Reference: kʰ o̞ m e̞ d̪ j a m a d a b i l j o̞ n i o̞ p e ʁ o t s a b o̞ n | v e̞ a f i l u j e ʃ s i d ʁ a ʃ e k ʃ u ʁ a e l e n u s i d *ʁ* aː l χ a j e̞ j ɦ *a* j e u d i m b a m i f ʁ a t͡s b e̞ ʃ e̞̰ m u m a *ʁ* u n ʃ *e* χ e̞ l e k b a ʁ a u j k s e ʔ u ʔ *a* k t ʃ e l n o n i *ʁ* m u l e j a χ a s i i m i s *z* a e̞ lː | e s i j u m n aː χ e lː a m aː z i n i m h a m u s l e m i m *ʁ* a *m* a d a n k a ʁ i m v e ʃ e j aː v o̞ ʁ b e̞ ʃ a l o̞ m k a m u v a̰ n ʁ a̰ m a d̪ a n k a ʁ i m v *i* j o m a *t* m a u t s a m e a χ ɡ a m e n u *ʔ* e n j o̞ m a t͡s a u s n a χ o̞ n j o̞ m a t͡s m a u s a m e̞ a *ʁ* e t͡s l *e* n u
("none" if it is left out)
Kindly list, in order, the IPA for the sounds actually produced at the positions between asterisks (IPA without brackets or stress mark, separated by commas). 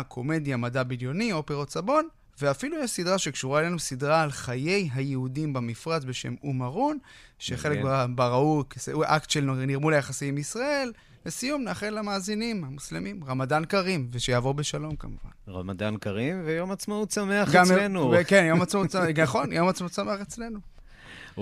ʁ, a, ʁ, e, a, ʁ, ʁ, ʁ, m, e, t͡s, k, χ, e